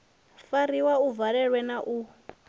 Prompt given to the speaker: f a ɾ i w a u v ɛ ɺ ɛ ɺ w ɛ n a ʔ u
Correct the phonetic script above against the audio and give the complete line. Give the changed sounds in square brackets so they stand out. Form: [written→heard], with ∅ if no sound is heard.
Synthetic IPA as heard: f a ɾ i w a u v [ɛ→a] ɺ ɛ ɺ w ɛ n a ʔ u